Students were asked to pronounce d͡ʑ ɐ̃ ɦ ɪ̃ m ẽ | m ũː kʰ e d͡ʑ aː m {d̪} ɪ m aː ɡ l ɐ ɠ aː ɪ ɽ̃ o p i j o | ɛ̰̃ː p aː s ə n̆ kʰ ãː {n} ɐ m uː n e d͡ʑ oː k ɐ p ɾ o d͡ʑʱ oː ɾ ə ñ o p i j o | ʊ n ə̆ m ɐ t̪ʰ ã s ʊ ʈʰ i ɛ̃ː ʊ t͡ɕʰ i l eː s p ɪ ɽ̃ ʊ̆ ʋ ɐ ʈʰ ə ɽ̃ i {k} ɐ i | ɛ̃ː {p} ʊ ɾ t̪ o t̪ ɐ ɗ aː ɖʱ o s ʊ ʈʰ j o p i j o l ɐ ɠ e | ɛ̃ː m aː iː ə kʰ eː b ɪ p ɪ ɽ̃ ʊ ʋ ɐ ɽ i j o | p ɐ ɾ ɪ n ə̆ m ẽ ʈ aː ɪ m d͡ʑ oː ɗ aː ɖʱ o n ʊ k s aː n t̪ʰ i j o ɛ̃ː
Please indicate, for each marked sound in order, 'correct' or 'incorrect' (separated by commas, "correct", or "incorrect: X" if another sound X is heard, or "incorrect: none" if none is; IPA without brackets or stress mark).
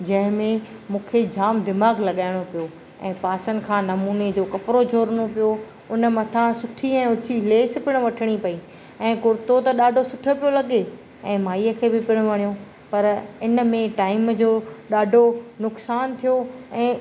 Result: correct, correct, incorrect: p, incorrect: k